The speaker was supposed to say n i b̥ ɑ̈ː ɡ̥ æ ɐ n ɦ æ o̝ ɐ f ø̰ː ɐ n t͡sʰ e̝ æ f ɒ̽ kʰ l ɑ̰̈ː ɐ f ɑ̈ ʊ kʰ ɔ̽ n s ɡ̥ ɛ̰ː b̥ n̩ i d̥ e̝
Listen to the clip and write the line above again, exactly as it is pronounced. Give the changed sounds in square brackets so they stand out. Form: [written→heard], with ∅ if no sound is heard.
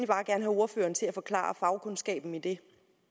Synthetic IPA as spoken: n i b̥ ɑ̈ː ɡ̥ æ ɐ n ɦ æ o̝ ɐ f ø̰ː ɐ n t͡sʰ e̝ æ f ɒ̽ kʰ l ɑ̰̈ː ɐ f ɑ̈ ʊ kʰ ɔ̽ n s ɡ̥ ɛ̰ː b̥ n̩ i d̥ e̝

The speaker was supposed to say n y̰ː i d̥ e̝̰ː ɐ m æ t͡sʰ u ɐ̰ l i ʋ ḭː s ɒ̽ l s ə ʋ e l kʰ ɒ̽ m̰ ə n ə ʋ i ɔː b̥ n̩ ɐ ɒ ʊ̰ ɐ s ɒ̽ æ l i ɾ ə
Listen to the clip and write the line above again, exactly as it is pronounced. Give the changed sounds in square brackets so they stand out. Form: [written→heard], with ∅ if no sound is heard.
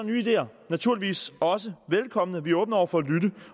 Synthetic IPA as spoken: n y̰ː i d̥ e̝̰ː ɐ [m→n] æ t͡sʰ u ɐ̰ l i ʋ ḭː s ɒ̽ [l→∅] s ə ʋ e l kʰ ɒ̽ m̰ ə n ə ʋ i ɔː b̥ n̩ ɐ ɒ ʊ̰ ɐ [s→f] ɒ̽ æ l [i→y] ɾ ə

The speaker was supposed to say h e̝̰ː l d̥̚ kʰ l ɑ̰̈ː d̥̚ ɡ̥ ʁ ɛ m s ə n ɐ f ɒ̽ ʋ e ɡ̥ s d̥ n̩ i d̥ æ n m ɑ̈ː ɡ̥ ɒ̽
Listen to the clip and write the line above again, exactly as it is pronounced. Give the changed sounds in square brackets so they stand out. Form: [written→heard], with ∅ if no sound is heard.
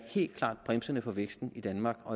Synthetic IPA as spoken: h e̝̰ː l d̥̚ kʰ l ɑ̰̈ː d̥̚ [ɡ̥→b̥] ʁ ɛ m s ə n [ɐ→ə] f ɒ̽ ʋ e ɡ̥ s d̥ n̩ i d̥ æ n m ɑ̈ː ɡ̥ ɒ̽

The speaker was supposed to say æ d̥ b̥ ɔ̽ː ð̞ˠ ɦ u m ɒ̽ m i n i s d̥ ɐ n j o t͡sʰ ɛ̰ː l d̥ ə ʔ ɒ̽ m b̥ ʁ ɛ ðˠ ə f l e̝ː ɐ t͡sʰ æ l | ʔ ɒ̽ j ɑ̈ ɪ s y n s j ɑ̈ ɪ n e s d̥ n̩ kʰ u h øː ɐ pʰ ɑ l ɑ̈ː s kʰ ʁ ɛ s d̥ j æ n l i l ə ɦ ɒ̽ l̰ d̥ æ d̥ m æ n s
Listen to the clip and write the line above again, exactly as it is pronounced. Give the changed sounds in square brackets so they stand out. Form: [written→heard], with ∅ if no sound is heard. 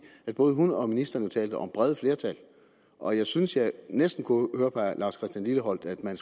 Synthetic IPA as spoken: æ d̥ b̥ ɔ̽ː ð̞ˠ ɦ u [m→n] ɒ̽ m i n i s d̥ ɐ n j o t͡sʰ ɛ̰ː l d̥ ə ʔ ɒ̽ m b̥ ʁ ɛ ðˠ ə f l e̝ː ɐ t͡sʰ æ l | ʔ ɒ̽ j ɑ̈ ɪ s y n s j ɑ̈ ɪ n e s d̥ n̩ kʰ u h øː ɐ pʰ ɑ l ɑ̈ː s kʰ ʁ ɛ s d̥ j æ n l i l ə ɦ ɒ̽ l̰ d̥ æ d̥ m æ n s

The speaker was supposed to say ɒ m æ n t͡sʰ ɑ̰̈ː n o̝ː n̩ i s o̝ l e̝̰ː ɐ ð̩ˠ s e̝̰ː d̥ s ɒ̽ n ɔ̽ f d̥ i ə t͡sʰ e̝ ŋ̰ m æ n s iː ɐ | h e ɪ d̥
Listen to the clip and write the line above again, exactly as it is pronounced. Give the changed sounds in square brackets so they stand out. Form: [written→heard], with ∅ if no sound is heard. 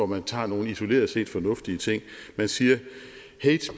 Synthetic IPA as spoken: ɒ m æ n t͡sʰ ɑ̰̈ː n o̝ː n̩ i s o̝ l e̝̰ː ɐ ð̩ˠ s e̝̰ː d̥ [s→f] ɒ̽ n ɔ̽ f d̥ i ə t͡sʰ e̝ ŋ̰ m æ n s iː ɐ | h e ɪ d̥

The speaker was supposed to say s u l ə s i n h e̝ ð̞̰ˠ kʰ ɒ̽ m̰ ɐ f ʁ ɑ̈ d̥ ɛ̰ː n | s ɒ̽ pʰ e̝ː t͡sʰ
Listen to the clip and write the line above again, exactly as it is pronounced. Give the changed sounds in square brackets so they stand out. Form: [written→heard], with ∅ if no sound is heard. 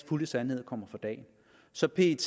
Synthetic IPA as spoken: [s→f] u l ə s [i→æ] n h e̝ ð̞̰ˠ kʰ ɒ̽ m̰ ɐ f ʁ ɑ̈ d̥ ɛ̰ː n | s ɒ̽ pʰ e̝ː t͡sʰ

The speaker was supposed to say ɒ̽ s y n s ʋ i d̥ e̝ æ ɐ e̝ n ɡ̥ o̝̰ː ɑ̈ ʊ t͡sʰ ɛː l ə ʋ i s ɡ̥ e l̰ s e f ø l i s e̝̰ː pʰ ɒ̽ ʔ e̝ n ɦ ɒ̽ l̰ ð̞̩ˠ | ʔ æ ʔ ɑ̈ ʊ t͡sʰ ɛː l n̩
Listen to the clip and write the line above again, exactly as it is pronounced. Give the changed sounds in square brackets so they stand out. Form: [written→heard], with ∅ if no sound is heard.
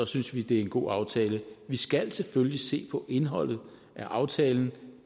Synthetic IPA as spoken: ɒ̽ s y n s ʋ i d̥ e̝ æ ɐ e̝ n ɡ̥ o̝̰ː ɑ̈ ʊ t͡sʰ ɛː l ə ʋ i s ɡ̥ [e→æ] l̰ s e f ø l i s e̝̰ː pʰ ɒ̽ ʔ e̝ n ɦ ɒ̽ l̰ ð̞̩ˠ | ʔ æ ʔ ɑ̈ ʊ t͡sʰ ɛː l n̩

